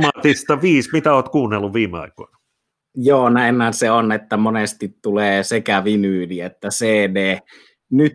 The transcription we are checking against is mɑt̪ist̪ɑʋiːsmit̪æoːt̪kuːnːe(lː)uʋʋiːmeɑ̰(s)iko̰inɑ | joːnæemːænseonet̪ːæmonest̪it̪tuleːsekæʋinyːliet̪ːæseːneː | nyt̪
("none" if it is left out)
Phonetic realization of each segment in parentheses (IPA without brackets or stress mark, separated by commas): lː, none